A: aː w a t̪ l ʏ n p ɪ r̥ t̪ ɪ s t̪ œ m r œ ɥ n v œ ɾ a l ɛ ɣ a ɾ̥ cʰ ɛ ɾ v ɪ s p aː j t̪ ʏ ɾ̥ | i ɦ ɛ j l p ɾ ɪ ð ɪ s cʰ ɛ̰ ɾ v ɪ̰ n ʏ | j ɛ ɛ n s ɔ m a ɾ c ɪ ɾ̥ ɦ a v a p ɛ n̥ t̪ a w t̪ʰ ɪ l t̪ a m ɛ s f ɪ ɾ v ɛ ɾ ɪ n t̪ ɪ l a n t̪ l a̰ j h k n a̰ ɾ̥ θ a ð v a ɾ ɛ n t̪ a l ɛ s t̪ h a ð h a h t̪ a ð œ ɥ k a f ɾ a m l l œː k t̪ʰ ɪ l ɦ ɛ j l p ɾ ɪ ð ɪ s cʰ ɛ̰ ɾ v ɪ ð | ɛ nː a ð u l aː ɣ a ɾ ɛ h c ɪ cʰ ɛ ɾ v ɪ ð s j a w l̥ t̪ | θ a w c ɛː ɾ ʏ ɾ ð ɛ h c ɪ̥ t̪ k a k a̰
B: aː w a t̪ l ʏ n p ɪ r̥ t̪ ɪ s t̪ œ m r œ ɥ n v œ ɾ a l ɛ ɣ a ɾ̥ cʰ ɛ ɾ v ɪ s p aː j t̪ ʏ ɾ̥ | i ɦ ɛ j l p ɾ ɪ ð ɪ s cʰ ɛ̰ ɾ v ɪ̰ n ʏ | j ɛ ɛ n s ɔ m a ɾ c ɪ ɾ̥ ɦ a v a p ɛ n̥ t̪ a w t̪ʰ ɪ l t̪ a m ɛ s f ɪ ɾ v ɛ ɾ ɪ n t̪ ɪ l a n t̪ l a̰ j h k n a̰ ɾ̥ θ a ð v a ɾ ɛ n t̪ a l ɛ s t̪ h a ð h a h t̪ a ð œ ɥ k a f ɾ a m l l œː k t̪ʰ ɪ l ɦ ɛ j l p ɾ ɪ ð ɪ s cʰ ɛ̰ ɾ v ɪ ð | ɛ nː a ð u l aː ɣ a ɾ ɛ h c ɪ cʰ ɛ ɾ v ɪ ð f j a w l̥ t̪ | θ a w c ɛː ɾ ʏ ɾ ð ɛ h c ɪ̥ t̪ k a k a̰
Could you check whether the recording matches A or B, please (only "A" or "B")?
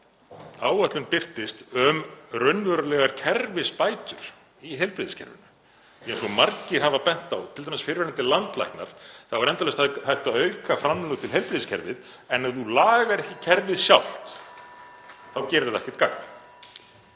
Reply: A